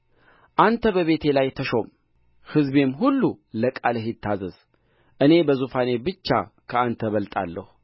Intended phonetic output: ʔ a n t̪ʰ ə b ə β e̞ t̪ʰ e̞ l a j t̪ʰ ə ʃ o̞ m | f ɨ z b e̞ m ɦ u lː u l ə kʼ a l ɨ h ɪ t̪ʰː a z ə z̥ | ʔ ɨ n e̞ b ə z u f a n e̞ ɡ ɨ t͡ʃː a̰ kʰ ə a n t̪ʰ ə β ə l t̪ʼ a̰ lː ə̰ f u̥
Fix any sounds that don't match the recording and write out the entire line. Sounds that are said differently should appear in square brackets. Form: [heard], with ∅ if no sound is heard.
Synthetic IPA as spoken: ʔ a n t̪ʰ ə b ə β e̞ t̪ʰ e̞ l a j t̪ʰ ə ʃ o̞ m | [h] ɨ z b e̞ m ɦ u lː u l ə kʼ a l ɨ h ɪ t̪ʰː a z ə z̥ | ʔ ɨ n e̞ b ə z u f a n e̞ [b] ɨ t͡ʃː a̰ kʰ ə a n t̪ʰ ə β ə l t̪ʼ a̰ lː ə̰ [h] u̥